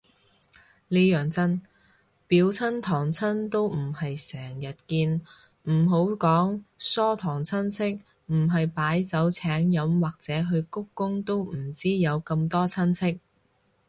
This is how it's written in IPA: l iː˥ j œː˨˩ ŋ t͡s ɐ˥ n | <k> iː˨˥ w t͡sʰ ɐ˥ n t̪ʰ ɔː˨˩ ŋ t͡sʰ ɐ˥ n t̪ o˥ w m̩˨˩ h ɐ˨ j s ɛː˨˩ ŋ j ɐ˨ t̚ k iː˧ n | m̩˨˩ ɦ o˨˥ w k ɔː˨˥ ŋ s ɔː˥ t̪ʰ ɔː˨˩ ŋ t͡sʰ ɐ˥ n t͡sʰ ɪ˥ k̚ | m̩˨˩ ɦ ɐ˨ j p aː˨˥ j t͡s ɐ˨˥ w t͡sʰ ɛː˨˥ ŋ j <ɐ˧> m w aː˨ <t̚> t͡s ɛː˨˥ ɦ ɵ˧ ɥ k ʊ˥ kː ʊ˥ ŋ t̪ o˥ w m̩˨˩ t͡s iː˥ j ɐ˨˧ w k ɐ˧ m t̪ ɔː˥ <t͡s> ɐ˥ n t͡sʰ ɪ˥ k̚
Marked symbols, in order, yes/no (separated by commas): no, no, no, no